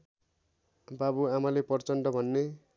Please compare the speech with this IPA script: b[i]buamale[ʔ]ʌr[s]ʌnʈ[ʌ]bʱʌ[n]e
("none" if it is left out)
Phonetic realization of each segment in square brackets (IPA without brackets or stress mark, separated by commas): a, p, t͡s, ʌ, nː